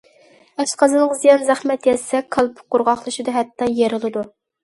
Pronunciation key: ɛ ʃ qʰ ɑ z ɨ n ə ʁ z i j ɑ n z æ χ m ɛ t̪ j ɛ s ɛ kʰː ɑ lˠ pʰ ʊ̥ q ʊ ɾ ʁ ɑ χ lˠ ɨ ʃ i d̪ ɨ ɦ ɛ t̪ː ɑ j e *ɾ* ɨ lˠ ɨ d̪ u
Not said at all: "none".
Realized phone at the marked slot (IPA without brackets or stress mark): ɾ